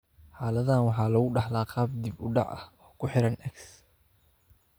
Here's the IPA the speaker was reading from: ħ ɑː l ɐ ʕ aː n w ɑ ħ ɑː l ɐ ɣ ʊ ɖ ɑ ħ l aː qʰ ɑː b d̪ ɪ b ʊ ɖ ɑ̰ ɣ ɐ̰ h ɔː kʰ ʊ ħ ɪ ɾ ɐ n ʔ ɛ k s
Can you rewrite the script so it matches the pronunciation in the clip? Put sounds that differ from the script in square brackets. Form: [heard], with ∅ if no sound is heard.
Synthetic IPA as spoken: ħ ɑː l ɐ [ð] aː n w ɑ ħ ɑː l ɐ ɣ ʊ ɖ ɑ ħ l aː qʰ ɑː b d̪ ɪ b ʊ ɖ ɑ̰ [ʕ] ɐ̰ h ɔː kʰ ʊ ħ ɪ ɾ ɐ n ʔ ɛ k s